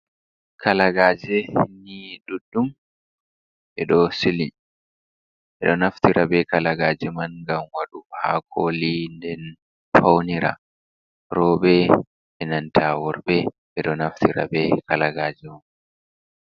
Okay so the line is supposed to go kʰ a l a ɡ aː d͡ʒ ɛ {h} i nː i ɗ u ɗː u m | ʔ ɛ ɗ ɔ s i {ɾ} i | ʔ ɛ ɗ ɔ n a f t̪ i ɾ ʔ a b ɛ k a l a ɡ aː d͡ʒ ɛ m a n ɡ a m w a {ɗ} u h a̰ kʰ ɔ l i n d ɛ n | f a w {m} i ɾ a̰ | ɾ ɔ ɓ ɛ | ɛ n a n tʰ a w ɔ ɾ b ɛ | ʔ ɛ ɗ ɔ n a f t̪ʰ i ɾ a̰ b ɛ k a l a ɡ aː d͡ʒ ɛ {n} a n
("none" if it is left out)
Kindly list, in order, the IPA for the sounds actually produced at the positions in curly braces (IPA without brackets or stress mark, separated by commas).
h, l, ɗ, n, m